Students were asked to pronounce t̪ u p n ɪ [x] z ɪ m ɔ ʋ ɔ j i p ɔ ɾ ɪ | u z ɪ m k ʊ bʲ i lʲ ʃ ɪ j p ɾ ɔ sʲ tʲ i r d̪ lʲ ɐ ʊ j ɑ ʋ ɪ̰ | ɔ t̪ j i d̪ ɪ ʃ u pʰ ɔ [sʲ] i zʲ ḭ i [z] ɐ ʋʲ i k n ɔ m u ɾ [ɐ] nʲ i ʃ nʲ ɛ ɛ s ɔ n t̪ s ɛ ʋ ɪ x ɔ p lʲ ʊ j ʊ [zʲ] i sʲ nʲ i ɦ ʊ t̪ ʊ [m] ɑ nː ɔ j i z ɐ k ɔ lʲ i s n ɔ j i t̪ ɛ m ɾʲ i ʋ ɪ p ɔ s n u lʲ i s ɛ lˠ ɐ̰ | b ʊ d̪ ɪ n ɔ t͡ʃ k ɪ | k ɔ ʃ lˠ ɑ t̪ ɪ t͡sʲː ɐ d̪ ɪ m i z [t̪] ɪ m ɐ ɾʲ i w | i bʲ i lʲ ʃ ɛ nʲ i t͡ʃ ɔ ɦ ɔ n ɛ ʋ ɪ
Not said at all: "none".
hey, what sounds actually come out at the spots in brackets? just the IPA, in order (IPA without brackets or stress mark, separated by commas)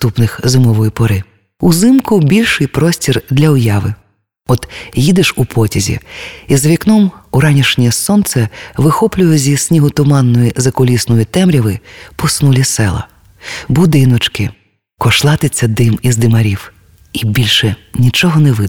x, tʲ, z, ɑ, zʲ, m, d̪